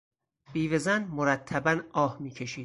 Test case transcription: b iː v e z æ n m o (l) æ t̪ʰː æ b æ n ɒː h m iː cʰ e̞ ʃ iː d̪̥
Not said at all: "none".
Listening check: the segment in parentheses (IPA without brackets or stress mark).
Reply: ɾ